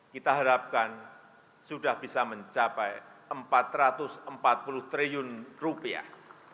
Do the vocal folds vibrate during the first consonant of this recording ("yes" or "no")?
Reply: no